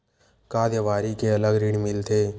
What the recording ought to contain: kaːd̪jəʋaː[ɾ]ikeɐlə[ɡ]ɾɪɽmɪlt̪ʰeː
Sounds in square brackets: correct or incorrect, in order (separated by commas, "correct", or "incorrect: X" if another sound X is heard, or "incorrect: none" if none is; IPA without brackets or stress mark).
correct, correct